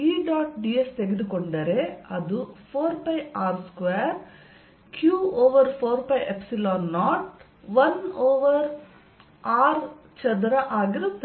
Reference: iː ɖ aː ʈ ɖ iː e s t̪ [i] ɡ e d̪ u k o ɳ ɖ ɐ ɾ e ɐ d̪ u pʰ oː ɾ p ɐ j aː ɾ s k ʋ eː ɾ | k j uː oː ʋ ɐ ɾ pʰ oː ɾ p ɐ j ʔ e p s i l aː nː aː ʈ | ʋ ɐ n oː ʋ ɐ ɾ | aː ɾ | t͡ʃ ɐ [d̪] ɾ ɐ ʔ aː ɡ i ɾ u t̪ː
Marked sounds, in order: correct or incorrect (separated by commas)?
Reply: incorrect, correct